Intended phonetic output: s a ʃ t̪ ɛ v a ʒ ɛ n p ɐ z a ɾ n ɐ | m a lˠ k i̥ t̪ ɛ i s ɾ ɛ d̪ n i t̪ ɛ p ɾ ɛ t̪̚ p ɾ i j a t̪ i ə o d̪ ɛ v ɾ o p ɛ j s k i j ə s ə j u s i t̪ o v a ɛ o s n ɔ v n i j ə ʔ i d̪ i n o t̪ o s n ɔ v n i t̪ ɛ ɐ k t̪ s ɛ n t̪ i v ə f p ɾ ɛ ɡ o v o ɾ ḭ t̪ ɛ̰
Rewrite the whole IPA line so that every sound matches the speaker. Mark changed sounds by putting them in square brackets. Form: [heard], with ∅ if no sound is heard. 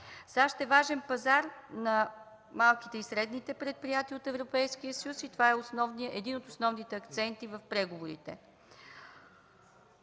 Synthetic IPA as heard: s a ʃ t̪ ɛ v a ʒ ɛ n p ɐ z a ɾ n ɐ | m a lˠ k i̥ t̪ ɛ i s ɾ ɛ d̪ n i t̪ ɛ p ɾ ɛ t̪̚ p ɾ i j a t̪ i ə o [t̪] ɛ v ɾ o p ɛ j s k i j ə s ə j u s i t̪ o v a ɛ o s n ɔ v n i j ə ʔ [ɛ] d̪ i n o t̪ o s n ɔ v n i t̪ ɛ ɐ k t̪ s ɛ n t̪ i v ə f p ɾ ɛ ɡ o v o ɾ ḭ t̪ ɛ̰